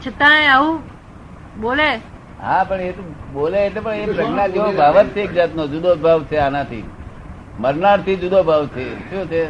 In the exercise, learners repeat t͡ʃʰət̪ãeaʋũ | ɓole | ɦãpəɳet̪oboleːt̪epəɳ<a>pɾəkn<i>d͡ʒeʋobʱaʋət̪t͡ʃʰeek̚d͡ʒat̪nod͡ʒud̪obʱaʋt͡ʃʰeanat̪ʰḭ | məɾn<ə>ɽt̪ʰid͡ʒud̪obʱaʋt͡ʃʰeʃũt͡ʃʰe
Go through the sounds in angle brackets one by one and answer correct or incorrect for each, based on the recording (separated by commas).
incorrect, incorrect, incorrect